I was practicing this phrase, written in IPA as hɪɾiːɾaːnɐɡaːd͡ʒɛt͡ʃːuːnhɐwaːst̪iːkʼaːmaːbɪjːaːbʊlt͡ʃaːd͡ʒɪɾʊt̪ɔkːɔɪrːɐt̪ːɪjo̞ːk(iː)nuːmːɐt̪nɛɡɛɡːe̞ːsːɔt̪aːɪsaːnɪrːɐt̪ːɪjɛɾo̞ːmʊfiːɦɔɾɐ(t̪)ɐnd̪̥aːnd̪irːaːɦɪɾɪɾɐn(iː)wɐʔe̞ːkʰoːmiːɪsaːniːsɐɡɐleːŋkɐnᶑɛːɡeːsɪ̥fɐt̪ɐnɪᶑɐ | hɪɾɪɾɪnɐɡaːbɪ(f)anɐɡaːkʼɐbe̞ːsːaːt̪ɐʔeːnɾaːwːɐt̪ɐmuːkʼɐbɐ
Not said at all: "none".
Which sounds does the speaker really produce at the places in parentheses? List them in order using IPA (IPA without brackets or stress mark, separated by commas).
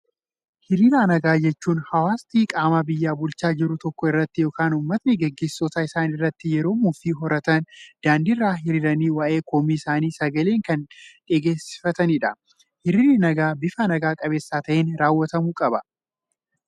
aː, t̪, iː, f